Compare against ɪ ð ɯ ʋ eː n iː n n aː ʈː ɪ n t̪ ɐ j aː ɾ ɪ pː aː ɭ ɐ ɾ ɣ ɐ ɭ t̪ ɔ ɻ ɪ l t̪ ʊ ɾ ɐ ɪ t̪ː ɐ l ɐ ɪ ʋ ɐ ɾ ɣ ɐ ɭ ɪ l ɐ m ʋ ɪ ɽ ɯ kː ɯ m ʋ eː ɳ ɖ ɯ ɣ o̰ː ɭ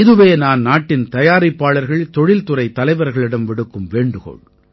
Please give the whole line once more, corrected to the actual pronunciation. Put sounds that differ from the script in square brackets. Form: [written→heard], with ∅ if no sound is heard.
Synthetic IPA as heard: ɪ ð ɯ ʋ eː n [iː→aː] n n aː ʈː ɪ n t̪ ɐ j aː ɾ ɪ pː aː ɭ ɐ ɾ ɣ ɐ ɭ t̪ ɔ ɻ ɪ l t̪ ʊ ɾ ɐ ɪ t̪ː ɐ l ɐ ɪ ʋ ɐ ɾ ɣ ɐ ɭ ɪ [l→ɽ] ɐ m ʋ ɪ ɽ ɯ kː ɯ m ʋ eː ɳ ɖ ɯ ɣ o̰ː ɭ